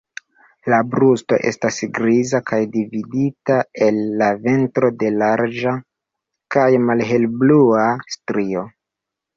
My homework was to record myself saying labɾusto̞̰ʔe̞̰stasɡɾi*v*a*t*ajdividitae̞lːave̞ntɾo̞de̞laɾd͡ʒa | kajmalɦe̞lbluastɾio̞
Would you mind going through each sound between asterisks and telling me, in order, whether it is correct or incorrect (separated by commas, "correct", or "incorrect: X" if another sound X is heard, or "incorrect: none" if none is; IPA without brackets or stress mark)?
incorrect: z, incorrect: k